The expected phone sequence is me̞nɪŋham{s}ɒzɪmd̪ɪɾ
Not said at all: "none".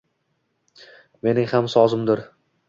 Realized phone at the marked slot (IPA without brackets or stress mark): s